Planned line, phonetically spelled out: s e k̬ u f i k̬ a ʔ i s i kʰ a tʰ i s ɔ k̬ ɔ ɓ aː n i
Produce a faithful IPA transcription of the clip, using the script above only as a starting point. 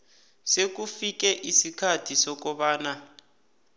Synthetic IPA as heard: s e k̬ u f i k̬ ɛ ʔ i s i kʰ a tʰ i s ɔ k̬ ɔ ɓ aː n a